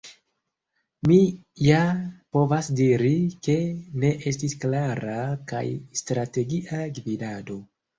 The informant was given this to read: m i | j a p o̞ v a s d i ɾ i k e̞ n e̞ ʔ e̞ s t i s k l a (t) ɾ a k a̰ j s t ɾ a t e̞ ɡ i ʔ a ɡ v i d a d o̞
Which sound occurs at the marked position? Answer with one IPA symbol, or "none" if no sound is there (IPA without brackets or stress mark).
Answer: none